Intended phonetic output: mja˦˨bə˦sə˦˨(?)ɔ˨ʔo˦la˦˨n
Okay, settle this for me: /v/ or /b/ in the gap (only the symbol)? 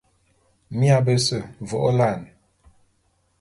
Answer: v